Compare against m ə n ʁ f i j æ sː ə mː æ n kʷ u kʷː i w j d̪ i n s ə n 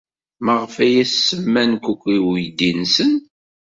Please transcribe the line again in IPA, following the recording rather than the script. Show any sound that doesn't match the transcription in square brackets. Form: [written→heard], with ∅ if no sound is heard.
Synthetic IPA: m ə [n→∅] ʁ f [i→æ] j æ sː ə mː æ n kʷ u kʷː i w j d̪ i n s ə n